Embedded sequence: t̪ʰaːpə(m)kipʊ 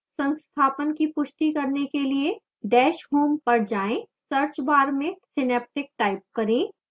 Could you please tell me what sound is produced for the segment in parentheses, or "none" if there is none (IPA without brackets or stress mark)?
n